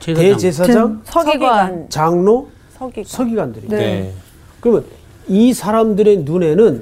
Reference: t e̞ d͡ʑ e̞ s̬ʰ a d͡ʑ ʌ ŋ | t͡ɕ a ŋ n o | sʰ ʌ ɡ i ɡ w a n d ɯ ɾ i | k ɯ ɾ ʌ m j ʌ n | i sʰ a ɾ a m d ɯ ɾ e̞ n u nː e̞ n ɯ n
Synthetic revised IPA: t e̞ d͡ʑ e̞ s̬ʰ a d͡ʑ a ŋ | t͡ɕ a ŋ n o | sʰ ʌ ɡ i ɡ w a n d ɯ ɾ i | k ɯ ɾ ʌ m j ʌ n | i sʰ a ɾ a m d ɯ ɾ e̞ n u n e̞ n ɯ n